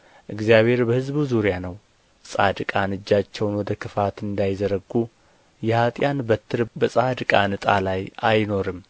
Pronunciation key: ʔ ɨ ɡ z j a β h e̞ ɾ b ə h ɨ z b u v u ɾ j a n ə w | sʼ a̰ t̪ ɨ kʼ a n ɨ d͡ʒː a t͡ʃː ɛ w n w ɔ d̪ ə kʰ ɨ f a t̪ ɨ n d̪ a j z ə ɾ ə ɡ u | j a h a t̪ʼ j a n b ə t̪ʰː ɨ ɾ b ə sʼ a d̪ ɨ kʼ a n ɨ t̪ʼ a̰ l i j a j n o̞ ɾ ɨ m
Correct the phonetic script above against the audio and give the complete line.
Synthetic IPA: ʔ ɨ ɡ z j a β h e̞ ɾ b ə h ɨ z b u z u ɾ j a n ə w | sʼ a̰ d̪ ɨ kʼ a n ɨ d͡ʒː a t͡ʃː ɛ w n w ɔ d̪ ə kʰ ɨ f a t̪ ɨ n d̪ a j z ə ɾ ə ɡ u | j ɛ h a t̪ʼ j a n b ə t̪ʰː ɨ ɾ b ə sʼ a d̪ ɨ kʼ a n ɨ t̪ʼ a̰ l a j a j n o̞ ɾ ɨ m